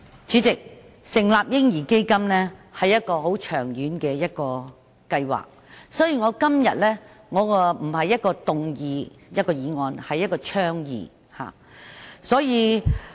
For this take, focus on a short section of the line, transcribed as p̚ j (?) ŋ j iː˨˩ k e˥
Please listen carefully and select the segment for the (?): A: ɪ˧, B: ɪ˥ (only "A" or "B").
B